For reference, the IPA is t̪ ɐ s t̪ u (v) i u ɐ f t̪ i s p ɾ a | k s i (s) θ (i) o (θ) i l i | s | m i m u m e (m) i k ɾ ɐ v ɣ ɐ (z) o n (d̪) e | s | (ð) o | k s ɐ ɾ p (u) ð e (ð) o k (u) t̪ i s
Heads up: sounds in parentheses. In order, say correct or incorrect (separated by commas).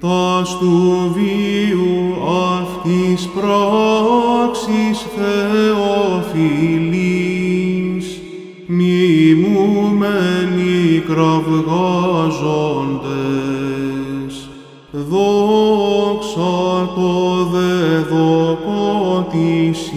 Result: correct, correct, incorrect, incorrect, incorrect, correct, correct, correct, incorrect, correct, incorrect